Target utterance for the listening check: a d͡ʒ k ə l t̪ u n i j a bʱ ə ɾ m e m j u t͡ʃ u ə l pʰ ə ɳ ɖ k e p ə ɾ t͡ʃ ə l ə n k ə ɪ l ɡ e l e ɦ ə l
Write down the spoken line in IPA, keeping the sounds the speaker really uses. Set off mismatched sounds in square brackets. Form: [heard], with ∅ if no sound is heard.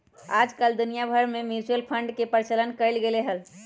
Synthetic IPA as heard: a d͡ʒ k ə l [d̪] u n i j a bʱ ə ɾ m e m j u t͡ʃ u ə l pʰ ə ɳ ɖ k e p ə ɾ t͡ʃ ə l ə n k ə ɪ l ɡ e l e ɦ ə l